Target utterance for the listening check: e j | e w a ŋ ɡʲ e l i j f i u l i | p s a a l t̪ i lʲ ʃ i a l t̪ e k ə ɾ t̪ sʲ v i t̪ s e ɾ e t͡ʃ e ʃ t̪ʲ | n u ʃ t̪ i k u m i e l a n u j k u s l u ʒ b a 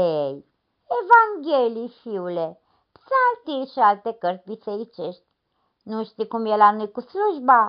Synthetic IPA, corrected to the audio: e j | e v a ŋ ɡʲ e l i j f i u l e | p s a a l t̪ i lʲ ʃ i a l t̪ e k ə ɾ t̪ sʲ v i t̪ s e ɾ i t͡ʃ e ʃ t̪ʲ | n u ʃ t̪ i k u m j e l a n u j k u s l u ʒ b a